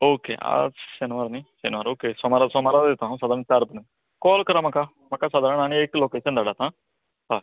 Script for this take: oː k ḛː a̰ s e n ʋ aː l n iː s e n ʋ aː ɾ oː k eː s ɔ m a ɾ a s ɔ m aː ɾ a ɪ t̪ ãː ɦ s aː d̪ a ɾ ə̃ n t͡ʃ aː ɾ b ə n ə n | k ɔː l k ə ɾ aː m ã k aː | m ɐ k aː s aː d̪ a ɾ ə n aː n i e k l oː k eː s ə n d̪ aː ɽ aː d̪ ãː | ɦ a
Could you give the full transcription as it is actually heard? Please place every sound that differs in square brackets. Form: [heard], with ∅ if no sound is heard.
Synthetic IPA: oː k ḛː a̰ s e n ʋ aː [ɾ] n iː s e n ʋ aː ɾ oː k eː s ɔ m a ɾ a s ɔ m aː ɾ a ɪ t̪ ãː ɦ s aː d̪ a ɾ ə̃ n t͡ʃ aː ɾ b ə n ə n | k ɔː l k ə ɾ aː m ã k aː | m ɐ k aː s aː d̪ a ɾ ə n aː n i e k l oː k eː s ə n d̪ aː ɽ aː [t̪] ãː | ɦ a

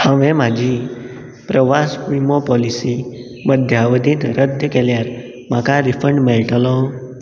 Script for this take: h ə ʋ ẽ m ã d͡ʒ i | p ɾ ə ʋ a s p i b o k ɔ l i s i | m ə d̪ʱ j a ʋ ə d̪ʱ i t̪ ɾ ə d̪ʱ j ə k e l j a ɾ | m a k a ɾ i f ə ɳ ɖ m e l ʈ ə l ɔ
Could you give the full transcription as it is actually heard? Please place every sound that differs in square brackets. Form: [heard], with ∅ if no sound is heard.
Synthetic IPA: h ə ʋ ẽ m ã d͡ʒ i | p ɾ ə ʋ a s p i [m] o [p] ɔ l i s i | m ə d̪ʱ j a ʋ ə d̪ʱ i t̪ ɾ ə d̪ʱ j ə k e l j a ɾ | m a k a ɾ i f ə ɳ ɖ m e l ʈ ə l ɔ

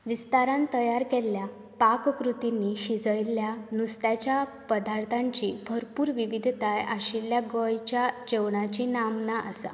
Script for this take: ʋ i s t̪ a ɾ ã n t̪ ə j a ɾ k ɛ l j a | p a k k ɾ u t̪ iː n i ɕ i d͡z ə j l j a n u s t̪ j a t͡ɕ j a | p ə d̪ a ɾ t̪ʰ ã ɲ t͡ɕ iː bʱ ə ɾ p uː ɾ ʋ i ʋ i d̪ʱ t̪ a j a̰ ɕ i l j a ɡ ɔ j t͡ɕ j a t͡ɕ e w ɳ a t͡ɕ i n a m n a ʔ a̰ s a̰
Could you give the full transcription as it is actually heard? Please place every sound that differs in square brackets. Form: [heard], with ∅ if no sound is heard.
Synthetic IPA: ʋ i s t̪ a ɾ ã n t̪ ə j a ɾ k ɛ l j a | p a k k ɾ u t̪ [i] n i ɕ i d͡z ə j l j a n u s t̪ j a t͡ɕ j a | p ə d̪ a ɾ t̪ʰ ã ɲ t͡ɕ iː bʱ ə ɾ p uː ɾ ʋ i ʋ i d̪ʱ t̪ a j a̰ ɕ i l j a ɡ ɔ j t͡ɕ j a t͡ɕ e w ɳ a t͡ɕ i n a m n a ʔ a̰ s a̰

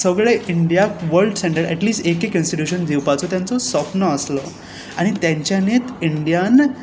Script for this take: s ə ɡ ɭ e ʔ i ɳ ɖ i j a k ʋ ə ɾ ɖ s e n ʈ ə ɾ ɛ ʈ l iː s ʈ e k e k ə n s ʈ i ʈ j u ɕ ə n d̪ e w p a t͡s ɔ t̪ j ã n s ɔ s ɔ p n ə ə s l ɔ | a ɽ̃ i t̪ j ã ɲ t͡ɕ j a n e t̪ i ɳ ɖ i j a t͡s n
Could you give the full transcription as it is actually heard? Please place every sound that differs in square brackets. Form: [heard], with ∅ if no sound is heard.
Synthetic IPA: s ə ɡ ɭ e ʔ i ɳ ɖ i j a k ʋ ə ɾ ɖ s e [ɳ] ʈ ə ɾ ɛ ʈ l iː s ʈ e k e k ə n s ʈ i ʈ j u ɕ ə n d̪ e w p a t͡s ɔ t̪ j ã n [t͡s] ɔ s ɔ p n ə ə s l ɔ | a ɽ̃ i t̪ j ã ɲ t͡ɕ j a n e t̪ i ɳ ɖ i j a [∅] n

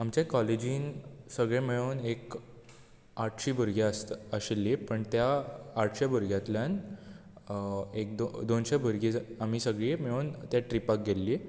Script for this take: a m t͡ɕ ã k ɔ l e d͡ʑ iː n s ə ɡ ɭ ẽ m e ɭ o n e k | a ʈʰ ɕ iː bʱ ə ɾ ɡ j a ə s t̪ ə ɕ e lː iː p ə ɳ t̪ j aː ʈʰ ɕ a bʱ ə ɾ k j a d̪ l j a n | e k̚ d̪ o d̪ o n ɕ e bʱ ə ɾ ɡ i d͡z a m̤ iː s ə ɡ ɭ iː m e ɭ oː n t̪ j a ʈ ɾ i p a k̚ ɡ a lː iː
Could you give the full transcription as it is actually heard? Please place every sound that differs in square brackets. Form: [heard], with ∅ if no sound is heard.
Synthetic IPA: a m t͡ɕ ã k ɔ l e d͡ʑ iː n s ə ɡ ɭ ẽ m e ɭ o n e k | a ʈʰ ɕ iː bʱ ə ɾ ɡ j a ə s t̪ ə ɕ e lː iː p ə ɳ t̪ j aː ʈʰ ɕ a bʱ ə ɾ [ɡ] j a [t̪] l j a n | e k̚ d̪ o d̪ o n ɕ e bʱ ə ɾ ɡ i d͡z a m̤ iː s ə ɡ ɭ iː m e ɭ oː n t̪ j a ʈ ɾ i p a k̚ ɡ [e] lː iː

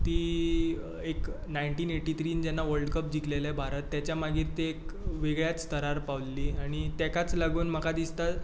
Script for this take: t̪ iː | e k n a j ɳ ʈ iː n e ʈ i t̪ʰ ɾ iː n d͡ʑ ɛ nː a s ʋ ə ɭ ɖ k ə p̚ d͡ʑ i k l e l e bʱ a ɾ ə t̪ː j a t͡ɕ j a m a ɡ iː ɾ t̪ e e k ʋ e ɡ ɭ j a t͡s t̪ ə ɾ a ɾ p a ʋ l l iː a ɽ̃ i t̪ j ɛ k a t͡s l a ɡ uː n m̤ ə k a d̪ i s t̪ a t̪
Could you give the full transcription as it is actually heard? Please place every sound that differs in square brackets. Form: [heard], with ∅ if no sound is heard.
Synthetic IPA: t̪ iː | e k n a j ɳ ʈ iː n e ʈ i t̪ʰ ɾ iː n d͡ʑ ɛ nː a [∅] ʋ ə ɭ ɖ k ə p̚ d͡ʑ i k l e l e bʱ a ɾ ə t̪ː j a t͡ɕ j a m a ɡ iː ɾ t̪ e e k ʋ e ɡ ɭ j a t͡s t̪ ə ɾ a ɾ p a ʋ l l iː a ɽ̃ i t̪ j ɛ k a t͡s l a ɡ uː n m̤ ə k a d̪ i s t̪ a t̪

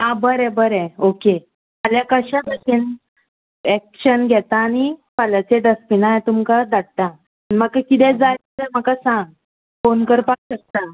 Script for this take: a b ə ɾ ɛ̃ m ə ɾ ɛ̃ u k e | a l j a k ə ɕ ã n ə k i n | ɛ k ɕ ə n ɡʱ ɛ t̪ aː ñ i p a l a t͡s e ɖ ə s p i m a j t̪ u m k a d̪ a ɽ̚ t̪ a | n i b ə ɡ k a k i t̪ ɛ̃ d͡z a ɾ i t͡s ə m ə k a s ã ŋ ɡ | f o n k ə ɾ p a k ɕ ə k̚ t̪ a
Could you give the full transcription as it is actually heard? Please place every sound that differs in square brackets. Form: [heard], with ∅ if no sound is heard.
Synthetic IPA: a b ə ɾ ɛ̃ [b] ə ɾ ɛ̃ [o] k e | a l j a k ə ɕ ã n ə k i n | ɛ k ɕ ə n ɡʱ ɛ t̪ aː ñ i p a l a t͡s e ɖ ə s p i [n] a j t̪ u m k a d̪ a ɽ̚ t̪ a | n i [m] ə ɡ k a k i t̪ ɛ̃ d͡z a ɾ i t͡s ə m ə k a s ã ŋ ɡ | f o n k ə ɾ p a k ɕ ə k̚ t̪ a

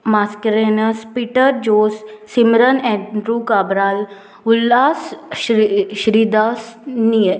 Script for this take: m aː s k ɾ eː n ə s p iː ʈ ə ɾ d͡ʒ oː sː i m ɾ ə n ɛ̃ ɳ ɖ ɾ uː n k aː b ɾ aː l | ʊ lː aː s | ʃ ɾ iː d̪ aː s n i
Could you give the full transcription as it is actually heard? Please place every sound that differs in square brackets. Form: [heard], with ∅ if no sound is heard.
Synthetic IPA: m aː s k ɾ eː n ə s p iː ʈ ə ɾ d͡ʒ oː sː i m ɾ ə n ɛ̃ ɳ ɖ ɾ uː [∅] k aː b ɾ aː l | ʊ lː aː s | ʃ ɾ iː d̪ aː s n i

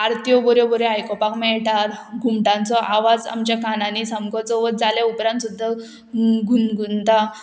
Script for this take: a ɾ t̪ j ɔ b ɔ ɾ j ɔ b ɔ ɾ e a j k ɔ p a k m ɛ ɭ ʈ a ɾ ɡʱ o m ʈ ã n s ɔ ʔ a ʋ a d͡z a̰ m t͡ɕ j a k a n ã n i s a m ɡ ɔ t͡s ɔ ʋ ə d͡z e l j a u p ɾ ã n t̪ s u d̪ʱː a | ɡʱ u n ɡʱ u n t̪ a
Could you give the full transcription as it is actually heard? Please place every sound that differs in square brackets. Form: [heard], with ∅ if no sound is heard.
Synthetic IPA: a ɾ t̪ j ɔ b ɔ ɾ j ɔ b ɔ ɾ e a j k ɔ p a k m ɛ ɭ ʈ a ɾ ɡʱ [u] m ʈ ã n [t͡s] ɔ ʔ a ʋ a d͡z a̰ m t͡ɕ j a k a n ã n i s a m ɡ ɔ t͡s ɔ ʋ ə d͡z [a] l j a u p ɾ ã n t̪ s u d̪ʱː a | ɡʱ u n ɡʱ u n t̪ a

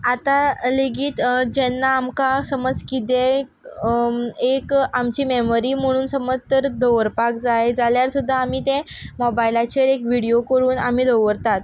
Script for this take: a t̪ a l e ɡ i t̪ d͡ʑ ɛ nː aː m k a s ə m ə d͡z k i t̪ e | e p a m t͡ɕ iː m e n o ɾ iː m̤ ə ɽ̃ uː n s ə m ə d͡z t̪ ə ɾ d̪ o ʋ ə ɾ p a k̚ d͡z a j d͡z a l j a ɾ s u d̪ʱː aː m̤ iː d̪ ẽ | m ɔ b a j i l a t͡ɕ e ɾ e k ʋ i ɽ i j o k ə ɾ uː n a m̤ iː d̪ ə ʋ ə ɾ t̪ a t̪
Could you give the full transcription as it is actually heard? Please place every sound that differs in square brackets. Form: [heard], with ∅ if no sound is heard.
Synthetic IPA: a t̪ a l e ɡ [iː] t̪ d͡ʑ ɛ nː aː m k a s ə m ə d͡z k i t̪ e | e [k] a m t͡ɕ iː m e [m] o ɾ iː m̤ ə ɽ̃ uː n s ə m ə d͡z t̪ ə ɾ d̪ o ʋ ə ɾ p a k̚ d͡z a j d͡z a l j a ɾ s u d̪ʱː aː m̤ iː [t̪] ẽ | m ɔ b a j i l a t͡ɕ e ɾ e k ʋ i ɽ i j o k ə ɾ uː n a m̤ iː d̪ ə ʋ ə ɾ t̪ a t̪

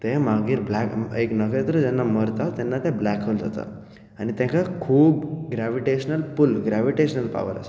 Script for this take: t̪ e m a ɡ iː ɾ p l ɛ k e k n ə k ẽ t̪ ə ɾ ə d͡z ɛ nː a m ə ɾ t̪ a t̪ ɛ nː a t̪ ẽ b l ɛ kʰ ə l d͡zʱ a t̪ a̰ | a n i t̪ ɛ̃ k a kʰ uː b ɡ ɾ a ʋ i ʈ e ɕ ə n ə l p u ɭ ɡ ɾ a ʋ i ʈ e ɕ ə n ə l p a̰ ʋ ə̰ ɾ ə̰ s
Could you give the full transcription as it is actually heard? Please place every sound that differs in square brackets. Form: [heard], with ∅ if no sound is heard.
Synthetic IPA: t̪ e m a ɡ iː ɾ [b] l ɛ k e k n ə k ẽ t̪ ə ɾ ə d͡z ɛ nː a m ə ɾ t̪ a t̪ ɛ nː a t̪ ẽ b l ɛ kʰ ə l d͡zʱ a t̪ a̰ | a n i t̪ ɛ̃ k a kʰ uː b ɡ ɾ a ʋ i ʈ e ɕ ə n ə l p u [l] ɡ ɾ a ʋ i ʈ e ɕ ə n ə l p a̰ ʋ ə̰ ɾ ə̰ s

